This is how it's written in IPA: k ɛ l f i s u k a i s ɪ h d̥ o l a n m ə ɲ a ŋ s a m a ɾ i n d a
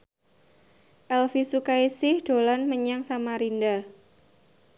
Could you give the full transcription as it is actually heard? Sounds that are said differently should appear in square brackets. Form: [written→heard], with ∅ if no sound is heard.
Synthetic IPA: [k→ʔ] ɛ l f i s u k a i s ɪ h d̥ o l a n m ə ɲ a ŋ s a m a ɾ i n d a